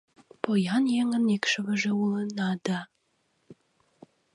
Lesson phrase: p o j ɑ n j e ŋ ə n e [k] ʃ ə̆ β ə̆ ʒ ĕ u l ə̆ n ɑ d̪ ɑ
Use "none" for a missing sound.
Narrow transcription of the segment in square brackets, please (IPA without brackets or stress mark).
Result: k